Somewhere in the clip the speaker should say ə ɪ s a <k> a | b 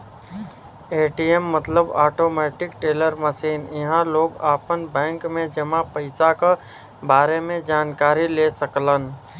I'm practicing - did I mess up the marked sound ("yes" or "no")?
no